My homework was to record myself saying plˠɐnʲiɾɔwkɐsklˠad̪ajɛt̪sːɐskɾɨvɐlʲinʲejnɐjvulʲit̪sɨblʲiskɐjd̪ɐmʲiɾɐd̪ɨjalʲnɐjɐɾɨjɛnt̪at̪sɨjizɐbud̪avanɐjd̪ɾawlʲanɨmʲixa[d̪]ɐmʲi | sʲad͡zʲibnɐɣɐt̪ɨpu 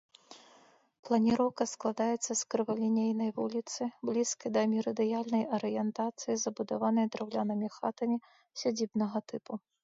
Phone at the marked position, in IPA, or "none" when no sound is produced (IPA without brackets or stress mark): t̪